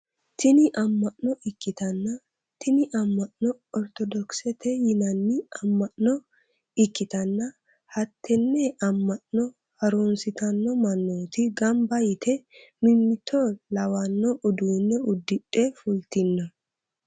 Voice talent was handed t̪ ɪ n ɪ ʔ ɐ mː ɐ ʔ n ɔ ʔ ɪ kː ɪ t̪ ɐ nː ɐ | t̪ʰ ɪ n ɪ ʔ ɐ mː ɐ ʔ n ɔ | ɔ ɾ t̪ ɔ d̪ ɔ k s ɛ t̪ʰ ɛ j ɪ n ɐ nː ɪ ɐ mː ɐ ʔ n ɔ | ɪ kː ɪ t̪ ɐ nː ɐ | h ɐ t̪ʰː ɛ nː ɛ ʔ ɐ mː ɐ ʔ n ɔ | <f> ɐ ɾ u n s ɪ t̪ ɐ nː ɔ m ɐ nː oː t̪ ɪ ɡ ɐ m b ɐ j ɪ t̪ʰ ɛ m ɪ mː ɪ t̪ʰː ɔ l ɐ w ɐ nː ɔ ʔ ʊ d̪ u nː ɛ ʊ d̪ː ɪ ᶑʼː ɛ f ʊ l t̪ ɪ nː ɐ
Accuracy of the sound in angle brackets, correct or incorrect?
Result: incorrect: h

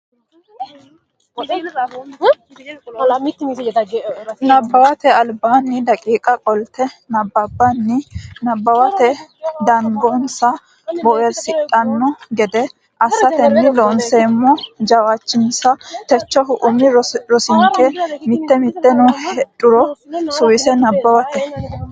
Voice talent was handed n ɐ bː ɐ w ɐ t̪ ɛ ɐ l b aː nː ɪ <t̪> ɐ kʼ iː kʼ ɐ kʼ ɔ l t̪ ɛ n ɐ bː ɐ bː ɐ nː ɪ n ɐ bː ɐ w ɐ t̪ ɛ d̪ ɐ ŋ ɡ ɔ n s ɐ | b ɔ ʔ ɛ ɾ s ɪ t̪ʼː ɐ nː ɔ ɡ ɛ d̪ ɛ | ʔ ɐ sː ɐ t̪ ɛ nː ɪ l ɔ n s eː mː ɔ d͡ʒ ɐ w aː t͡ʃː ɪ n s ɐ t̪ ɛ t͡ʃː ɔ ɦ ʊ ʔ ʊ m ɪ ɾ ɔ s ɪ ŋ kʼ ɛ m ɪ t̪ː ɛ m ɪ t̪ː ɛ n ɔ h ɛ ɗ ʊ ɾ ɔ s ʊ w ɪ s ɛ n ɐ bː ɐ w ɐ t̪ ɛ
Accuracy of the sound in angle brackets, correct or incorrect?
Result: incorrect: d̪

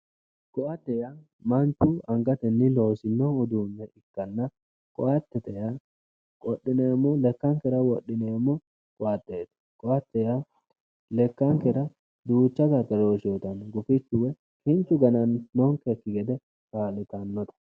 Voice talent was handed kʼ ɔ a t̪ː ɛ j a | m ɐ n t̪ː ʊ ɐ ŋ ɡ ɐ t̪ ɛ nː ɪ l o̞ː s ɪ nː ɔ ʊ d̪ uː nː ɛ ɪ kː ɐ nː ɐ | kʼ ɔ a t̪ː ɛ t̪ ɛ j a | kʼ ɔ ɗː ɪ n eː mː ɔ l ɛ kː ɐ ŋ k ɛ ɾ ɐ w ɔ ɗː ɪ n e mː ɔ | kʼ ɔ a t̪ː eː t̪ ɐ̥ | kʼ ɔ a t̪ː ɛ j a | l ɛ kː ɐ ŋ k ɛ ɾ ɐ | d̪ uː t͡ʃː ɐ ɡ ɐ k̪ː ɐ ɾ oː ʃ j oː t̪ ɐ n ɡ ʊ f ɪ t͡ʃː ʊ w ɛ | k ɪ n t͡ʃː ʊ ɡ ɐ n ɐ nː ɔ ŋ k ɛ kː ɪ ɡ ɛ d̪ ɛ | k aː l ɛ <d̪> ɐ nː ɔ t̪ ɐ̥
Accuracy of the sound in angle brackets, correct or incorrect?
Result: incorrect: t̪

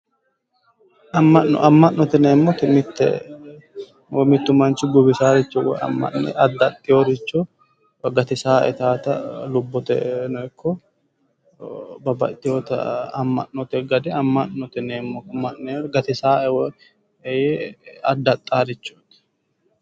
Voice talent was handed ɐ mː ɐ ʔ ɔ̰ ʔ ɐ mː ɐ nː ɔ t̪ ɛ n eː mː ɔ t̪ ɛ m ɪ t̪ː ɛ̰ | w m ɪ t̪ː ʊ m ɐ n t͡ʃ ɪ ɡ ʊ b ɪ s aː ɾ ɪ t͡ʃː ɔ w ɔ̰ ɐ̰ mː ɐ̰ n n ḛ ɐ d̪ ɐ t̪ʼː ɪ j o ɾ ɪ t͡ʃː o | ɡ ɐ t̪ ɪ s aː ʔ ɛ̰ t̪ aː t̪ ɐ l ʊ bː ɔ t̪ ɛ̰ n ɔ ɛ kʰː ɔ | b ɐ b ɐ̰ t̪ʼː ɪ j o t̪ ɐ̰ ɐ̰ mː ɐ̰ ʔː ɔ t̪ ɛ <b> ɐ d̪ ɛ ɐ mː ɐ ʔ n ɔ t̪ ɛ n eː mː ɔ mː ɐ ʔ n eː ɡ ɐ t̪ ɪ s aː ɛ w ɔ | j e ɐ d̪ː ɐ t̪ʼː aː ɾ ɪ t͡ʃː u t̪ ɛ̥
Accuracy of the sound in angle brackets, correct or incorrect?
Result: incorrect: ɡ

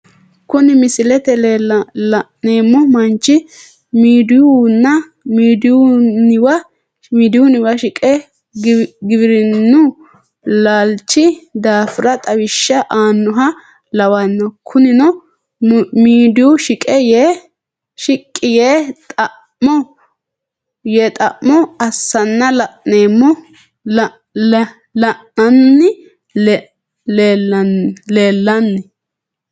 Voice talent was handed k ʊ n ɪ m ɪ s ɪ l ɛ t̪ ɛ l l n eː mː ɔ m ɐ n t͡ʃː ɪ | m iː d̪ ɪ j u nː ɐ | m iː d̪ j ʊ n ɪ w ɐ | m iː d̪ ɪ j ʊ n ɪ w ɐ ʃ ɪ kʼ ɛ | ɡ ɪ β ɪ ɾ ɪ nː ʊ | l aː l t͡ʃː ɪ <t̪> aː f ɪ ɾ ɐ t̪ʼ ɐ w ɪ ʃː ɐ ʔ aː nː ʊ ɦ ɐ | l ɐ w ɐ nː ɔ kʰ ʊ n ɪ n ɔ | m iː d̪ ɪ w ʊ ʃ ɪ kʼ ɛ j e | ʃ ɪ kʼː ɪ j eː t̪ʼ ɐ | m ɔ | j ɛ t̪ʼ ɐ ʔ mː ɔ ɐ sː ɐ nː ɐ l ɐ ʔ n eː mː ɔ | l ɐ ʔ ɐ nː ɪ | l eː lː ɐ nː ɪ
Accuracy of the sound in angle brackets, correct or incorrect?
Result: incorrect: d̪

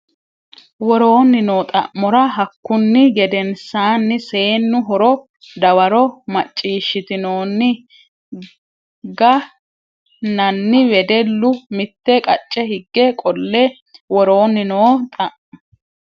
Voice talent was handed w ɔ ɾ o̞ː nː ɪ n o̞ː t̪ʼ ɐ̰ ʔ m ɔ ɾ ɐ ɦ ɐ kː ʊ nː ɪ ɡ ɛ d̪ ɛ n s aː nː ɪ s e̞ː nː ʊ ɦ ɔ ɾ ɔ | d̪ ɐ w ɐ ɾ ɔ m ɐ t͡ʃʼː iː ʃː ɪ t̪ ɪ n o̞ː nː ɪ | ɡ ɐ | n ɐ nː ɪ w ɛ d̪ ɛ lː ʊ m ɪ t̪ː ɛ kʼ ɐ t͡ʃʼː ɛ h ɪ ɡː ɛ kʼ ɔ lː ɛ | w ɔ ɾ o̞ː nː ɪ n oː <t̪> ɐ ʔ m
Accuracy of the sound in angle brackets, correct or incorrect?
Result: incorrect: t̪ʼ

